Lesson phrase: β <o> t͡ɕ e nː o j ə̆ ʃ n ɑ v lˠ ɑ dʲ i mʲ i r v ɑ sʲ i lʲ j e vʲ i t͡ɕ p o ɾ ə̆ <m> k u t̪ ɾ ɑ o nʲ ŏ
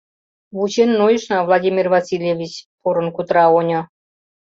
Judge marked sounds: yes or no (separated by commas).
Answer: no, no